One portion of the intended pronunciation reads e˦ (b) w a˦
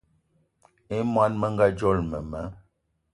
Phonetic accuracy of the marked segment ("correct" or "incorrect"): incorrect